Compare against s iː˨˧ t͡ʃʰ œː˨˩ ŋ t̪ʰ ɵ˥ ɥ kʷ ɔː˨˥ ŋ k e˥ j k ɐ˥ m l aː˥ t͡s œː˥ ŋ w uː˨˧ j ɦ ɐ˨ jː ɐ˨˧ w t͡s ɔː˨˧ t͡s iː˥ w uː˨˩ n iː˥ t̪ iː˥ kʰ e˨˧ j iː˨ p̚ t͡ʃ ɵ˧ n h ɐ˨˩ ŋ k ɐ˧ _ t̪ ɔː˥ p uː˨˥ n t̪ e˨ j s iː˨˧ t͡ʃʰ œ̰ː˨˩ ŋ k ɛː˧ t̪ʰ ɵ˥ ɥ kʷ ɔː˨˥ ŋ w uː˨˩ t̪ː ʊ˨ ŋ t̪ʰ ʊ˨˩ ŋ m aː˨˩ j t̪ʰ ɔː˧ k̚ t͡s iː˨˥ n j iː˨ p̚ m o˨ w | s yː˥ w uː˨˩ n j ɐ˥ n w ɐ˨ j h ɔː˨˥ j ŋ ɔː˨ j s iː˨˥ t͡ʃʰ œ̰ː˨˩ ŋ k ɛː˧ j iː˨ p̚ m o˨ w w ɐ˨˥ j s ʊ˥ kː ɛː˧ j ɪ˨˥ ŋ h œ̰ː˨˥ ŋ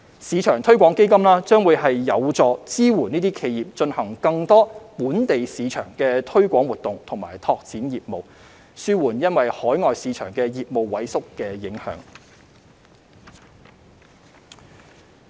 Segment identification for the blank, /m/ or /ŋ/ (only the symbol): ŋ